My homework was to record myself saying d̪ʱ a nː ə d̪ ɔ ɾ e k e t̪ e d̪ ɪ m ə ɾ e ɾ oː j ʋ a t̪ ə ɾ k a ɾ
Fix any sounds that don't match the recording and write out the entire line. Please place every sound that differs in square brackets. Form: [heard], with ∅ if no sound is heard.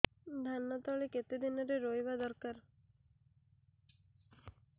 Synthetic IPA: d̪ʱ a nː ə [t̪] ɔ [ɭ] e k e t̪ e d̪ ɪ [n] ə ɾ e ɾ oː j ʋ a [d̪] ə ɾ k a ɾ